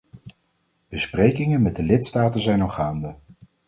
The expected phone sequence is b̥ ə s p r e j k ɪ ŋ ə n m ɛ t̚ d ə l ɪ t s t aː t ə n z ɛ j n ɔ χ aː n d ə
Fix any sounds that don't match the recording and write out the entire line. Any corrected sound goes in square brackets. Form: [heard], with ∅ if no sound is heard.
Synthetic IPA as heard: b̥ ə s p r e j k ɪ ŋ ə n m ɛ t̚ d ə l ɪ t s t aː t ə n z ɛ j n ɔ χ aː n d ə